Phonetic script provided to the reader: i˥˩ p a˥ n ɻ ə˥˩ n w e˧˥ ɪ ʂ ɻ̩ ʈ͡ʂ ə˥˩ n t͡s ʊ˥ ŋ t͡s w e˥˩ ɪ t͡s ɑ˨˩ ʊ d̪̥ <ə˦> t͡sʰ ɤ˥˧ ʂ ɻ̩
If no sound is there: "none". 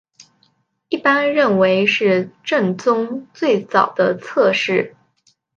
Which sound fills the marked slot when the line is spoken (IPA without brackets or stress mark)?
ə˦